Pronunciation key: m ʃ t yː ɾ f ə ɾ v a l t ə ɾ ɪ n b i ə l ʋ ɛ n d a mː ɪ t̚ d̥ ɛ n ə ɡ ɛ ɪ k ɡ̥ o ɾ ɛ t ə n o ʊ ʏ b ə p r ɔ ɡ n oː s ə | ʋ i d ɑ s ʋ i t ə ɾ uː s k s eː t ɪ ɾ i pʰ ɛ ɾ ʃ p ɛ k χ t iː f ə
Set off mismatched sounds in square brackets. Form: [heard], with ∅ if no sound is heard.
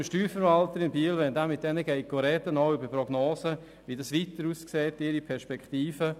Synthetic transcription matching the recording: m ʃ t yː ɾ f ə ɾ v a l t ə ɾ ɪ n b i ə l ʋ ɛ n d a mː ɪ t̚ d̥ ɛ n ə ɡ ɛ ɪ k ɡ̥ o ɾ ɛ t ə n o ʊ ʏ b ə p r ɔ ɡ n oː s ə | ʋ i d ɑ s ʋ i t ə ɾ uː s k s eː t ɪ ɾ i pʰ ɛ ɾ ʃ p ɛ k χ t iː f ə